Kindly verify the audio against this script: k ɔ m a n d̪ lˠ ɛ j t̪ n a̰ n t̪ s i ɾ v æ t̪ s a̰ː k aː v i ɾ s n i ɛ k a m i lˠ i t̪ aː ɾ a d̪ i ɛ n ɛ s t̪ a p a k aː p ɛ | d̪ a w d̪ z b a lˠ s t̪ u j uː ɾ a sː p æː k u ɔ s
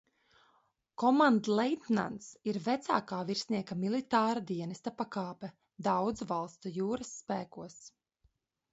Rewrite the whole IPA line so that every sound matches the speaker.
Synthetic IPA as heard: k ɔ m a n d̪ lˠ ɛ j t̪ n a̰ n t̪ s i ɾ v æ t̪ s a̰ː k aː v i ɾ s n i ɛ k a m i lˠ i t̪ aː ɾ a d̪ i ɛ n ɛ s t̪ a p a k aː p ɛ | d̪ a w d̪ z v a lˠ s t̪ u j uː ɾ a sː p æː k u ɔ s